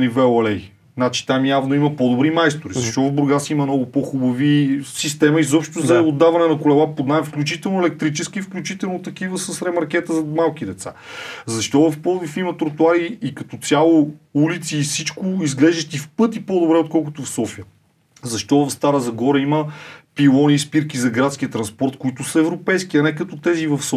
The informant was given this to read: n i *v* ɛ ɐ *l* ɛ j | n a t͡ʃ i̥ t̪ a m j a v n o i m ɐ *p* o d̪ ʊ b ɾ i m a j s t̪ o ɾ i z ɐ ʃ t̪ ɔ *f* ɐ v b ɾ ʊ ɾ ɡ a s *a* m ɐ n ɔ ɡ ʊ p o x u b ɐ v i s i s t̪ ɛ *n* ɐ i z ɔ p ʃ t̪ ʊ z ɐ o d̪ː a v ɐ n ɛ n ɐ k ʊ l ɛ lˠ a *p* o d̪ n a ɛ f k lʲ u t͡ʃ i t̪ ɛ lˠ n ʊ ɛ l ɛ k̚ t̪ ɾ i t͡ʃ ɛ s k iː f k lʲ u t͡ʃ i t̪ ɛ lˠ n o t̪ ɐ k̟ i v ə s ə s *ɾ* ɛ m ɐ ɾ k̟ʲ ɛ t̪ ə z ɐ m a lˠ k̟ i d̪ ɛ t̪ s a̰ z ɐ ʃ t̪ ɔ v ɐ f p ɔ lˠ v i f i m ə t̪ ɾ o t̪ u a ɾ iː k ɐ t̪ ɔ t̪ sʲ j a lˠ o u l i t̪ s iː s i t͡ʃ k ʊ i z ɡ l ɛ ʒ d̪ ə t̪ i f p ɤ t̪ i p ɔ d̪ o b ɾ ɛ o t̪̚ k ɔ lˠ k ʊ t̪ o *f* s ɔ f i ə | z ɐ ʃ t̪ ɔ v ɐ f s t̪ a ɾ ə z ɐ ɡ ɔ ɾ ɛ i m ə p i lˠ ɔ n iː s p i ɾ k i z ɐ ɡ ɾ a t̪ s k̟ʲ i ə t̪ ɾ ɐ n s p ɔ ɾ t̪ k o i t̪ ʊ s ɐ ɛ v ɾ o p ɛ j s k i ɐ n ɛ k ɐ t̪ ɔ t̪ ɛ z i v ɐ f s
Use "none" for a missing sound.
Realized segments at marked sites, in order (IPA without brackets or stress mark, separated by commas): v, l, p, v, i, m, p, ɾ, f